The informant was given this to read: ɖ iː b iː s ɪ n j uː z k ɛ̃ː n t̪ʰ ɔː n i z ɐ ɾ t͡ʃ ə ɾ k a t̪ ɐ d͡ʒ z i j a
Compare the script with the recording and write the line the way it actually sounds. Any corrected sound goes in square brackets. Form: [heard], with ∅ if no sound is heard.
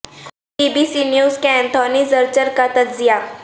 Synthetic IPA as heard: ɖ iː b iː s [i] n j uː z k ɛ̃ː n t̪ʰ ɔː n i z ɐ ɾ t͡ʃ ə ɾ k a t̪ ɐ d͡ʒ z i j a